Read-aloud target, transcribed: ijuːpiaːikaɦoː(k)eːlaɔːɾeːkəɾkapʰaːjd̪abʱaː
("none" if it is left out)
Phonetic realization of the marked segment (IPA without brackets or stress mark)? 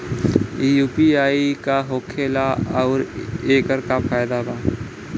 kʰ